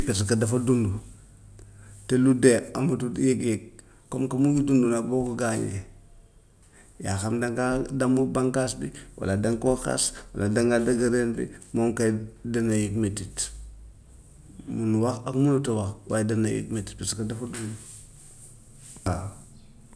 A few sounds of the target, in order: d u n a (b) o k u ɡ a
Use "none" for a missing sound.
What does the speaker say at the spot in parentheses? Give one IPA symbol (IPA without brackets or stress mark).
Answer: b